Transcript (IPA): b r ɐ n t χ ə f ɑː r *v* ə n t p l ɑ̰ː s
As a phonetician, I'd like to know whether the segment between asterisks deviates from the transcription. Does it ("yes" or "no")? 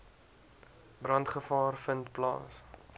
yes